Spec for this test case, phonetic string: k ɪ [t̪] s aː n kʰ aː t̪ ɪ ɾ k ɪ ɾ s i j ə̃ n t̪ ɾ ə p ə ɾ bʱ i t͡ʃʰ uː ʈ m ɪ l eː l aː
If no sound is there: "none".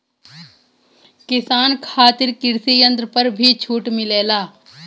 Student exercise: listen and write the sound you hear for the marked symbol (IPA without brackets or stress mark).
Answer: none